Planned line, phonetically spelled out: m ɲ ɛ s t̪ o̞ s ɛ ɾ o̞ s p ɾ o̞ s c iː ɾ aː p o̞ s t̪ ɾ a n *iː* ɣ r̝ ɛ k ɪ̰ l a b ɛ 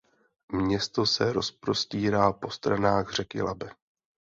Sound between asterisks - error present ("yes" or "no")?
yes